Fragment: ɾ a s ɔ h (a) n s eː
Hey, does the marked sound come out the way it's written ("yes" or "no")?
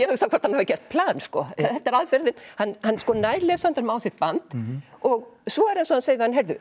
yes